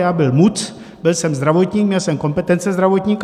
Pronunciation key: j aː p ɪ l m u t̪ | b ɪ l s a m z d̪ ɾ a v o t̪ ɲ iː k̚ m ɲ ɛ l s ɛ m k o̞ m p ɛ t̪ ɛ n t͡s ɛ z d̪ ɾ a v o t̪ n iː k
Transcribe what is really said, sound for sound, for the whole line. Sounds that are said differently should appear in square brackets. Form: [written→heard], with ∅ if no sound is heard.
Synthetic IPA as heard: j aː [p→b] ɪ l m u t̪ | b ɪ l s [a→ɛ] m z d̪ ɾ a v o t̪ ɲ iː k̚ m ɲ ɛ l s ɛ m k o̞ m p ɛ t̪ ɛ n t͡s ɛ z d̪ ɾ a v o t̪ [n→ɲ] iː k